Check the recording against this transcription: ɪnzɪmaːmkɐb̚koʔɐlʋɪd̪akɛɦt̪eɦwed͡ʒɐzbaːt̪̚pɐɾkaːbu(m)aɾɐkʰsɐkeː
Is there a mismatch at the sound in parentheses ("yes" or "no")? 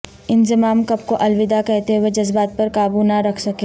yes